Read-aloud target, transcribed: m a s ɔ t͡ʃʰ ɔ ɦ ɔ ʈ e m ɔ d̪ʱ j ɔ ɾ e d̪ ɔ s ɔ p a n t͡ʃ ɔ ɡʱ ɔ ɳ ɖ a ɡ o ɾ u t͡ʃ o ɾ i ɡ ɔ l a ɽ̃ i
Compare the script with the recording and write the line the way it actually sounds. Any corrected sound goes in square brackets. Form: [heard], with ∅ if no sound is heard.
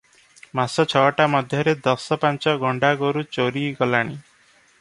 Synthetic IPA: m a s ɔ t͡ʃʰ ɔ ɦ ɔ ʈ [a] m ɔ d̪ʱ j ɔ ɾ e d̪ ɔ s ɔ p a n t͡ʃ ɔ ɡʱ ɔ ɳ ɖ a ɡ o ɾ u t͡ʃ o ɾ i ɡ ɔ l a ɽ̃ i

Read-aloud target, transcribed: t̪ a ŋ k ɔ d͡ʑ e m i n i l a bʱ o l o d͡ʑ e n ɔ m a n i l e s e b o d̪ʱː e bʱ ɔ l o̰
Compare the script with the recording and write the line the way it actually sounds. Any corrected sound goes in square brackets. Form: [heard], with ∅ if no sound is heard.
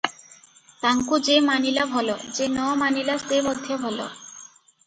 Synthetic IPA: t̪ a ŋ k [u] d͡ʑ e m [a] n i l a bʱ [ɔ] l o d͡ʑ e n ɔ m a n i l [a] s e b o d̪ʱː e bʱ ɔ l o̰

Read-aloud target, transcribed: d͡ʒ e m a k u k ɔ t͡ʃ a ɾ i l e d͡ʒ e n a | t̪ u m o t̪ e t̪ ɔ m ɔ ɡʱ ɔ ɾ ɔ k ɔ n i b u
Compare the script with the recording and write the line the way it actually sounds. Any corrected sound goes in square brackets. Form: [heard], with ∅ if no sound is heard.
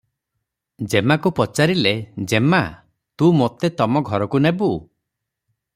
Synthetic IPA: d͡ʒ e m a k u [p] ɔ t͡ʃ a ɾ i l e d͡ʒ e [m] a | t̪ u m o t̪ e t̪ ɔ m ɔ ɡʱ ɔ ɾ ɔ k [u] n [e] b u

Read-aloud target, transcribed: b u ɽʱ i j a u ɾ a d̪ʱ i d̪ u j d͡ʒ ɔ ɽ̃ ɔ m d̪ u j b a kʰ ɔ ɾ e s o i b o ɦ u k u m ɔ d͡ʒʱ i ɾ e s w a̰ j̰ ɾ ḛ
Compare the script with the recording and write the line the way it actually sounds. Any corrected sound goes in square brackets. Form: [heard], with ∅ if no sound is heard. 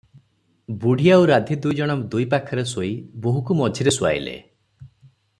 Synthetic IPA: b u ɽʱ i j a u ɾ a d̪ʱ i d̪ u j d͡ʒ ɔ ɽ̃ ɔ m d̪ u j [p] a kʰ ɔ ɾ e s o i b o ɦ u k u m ɔ d͡ʒʱ i ɾ e s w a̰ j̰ [l] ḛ

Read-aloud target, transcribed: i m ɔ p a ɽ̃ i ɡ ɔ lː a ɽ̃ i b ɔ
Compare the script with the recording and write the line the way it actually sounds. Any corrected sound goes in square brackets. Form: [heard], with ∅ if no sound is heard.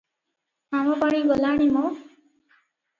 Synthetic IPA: [a] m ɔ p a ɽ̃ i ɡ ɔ [l] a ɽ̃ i [m] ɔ

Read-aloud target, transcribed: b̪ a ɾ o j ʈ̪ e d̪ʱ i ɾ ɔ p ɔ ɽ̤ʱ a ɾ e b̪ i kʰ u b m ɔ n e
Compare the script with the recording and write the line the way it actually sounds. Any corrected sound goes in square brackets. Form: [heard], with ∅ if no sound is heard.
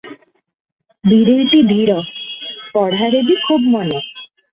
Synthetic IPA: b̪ [i] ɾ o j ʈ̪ [i] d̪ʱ i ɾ ɔ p ɔ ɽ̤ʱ a ɾ e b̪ i kʰ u b m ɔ n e

